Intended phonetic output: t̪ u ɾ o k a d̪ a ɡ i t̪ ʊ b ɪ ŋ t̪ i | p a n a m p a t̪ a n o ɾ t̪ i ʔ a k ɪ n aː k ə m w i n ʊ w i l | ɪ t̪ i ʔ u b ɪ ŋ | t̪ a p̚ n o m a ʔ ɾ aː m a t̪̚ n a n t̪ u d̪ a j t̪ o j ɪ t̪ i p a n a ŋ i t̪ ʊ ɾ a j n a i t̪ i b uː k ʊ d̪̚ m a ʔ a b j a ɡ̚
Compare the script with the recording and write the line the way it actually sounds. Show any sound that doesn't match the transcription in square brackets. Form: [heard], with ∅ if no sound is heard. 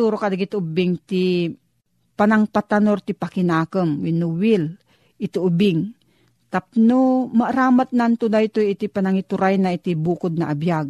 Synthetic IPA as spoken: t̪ u ɾ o k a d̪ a ɡ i t̪ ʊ b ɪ ŋ t̪ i | p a n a [ŋ] p a t̪ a n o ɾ t̪ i [p] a k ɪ n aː k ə m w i n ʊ w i l | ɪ t̪ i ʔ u b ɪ ŋ | t̪ a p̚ n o m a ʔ ɾ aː m a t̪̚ n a n t̪ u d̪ a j t̪ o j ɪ t̪ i p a n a ŋ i t̪ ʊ ɾ a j n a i t̪ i b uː k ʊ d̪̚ [n] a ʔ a b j a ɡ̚